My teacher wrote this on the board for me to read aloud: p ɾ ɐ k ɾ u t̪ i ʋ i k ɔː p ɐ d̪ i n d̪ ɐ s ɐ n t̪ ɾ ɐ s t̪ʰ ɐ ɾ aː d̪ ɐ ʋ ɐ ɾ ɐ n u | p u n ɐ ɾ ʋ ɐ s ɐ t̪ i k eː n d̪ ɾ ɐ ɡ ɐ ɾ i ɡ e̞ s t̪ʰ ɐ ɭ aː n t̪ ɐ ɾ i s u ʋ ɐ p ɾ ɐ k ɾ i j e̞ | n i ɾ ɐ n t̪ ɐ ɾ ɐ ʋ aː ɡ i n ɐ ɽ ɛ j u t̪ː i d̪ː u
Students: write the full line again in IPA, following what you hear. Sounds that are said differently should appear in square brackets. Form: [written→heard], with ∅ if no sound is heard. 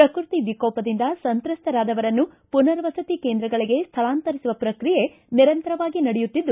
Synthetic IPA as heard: p ɾ ɐ k ɾ u t̪ i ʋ i k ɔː p ɐ d̪ i n d̪ ɐ s ɐ n t̪ ɾ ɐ s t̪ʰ ɐ ɾ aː d̪ ɐ ʋ ɐ ɾ ɐ [n→nː] u | p u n ɐ ɾ ʋ ɐ s ɐ t̪ i k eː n d̪ ɾ ɐ ɡ ɐ [ɾ→ɭ] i ɡ e̞ s t̪ʰ ɐ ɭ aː n t̪ ɐ ɾ i s u ʋ ɐ p ɾ ɐ k ɾ i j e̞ | n i ɾ ɐ n t̪ ɐ ɾ ɐ ʋ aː ɡ i n ɐ ɽ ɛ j u t̪ː i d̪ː u

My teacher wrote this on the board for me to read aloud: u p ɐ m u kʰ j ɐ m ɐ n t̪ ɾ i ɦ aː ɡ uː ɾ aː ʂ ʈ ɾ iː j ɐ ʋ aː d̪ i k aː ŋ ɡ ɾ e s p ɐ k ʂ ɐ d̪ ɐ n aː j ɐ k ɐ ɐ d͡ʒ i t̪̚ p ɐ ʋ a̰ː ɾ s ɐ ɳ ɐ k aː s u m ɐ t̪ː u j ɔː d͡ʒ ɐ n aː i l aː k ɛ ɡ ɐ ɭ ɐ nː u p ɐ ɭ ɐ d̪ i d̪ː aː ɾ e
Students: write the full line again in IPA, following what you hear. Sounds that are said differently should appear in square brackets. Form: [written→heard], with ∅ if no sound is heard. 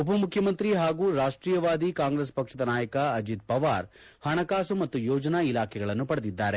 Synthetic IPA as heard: u p ɐ m u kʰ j ɐ m ɐ n t̪ ɾ i ɦ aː ɡ uː ɾ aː ʂ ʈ ɾ iː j ɐ ʋ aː d̪ i k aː ŋ ɡ ɾ e s p ɐ k ʂ ɐ d̪ ɐ n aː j ɐ k ɐ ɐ d͡ʒ i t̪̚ p ɐ ʋ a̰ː ɾ [s→h] ɐ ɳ ɐ k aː s u m ɐ t̪ː u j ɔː d͡ʒ ɐ n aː i l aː [k→kʰ] ɛ ɡ ɐ ɭ ɐ nː u p ɐ [ɭ→ɽ] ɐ d̪ i d̪ː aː ɾ e

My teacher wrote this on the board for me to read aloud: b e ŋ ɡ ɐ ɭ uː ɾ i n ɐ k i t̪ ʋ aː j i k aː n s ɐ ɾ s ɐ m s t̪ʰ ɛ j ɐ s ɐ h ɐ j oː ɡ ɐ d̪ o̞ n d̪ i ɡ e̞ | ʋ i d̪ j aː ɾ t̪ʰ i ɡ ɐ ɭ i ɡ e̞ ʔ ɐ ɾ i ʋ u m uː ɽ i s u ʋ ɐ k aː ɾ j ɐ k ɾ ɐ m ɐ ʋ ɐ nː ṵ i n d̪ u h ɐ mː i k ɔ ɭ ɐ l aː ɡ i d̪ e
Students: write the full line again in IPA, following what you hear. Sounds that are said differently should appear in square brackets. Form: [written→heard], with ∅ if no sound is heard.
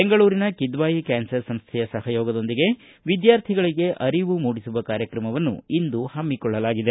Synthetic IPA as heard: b e ŋ ɡ ɐ ɭ uː ɾ i n ɐ k i [t̪→d̪] ʋ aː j i k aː n s ɐ ɾ s ɐ m s t̪ʰ ɛ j ɐ s ɐ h ɐ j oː ɡ ɐ d̪ o̞ n d̪ i ɡ e̞ | ʋ i d̪ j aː ɾ t̪ʰ i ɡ ɐ ɭ i ɡ e̞ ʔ ɐ ɾ i ʋ u m uː ɽ i s u ʋ ɐ k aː ɾ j ɐ k ɾ ɐ m ɐ ʋ ɐ nː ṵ i n d̪ u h ɐ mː i k ɔ [ɭ→ɭː] ɐ l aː ɡ i d̪ e

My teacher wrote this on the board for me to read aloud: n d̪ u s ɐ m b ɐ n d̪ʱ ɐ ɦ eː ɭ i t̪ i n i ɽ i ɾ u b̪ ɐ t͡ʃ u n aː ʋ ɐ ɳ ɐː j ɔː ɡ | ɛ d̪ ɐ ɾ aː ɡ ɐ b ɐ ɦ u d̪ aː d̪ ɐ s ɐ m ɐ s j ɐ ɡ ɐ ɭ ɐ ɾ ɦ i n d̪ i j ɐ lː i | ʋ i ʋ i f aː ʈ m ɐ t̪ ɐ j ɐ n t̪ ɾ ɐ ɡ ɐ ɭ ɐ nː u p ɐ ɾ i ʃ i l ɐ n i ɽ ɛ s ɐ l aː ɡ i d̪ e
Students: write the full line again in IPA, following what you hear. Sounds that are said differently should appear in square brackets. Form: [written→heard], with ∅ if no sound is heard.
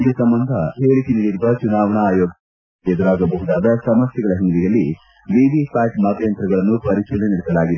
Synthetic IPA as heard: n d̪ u s ɐ m b ɐ n d̪ʱ ɐ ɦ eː ɭ i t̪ i n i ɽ i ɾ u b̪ ɐ t͡ʃ u n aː ʋ ɐ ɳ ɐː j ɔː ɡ | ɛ d̪ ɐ ɾ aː ɡ ɐ b ɐ ɦ u d̪ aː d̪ ɐ s ɐ m ɐ s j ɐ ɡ ɐ ɭ ɐ [ɾ→∅] ɦ i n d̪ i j ɐ lː i | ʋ i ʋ i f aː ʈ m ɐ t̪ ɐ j ɐ n t̪ ɾ ɐ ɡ ɐ ɭ ɐ nː u p ɐ ɾ i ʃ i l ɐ n i ɽ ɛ s ɐ l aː ɡ i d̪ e

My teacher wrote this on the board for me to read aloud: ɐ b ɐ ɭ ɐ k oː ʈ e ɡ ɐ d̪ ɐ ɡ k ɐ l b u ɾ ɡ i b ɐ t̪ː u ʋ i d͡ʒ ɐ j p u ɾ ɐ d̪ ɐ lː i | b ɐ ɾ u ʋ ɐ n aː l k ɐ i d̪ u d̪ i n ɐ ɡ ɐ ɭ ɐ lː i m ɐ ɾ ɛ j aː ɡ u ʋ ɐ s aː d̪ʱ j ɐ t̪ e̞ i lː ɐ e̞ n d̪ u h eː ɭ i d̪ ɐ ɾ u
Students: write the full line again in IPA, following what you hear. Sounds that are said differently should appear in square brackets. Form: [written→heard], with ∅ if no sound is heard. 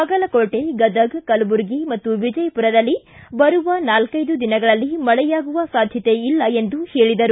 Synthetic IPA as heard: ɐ [b→ɡ] ɐ [ɭ→l] ɐ k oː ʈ e ɡ ɐ d̪ ɐ ɡ k ɐ l b u ɾ ɡ i [b→m] ɐ t̪ː u ʋ i d͡ʒ ɐ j p u ɾ ɐ d̪ ɐ lː i | b ɐ ɾ u ʋ ɐ n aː l k ɐ [i→j] d̪ u d̪ i n ɐ ɡ ɐ ɭ ɐ lː i m ɐ [ɾ→ɭ] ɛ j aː ɡ u ʋ ɐ s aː d̪ʱ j ɐ t̪ e̞ i lː ɐ e̞ n d̪ u h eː ɭ i d̪ ɐ ɾ u

